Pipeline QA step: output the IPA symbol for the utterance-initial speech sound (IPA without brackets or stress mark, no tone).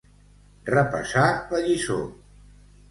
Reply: r